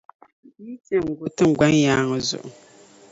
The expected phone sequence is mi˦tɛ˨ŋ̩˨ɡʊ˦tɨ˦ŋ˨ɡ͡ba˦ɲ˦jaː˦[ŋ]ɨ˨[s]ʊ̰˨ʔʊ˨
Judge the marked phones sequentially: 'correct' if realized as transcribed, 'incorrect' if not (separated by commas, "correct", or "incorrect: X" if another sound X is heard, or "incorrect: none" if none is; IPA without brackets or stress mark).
correct, incorrect: z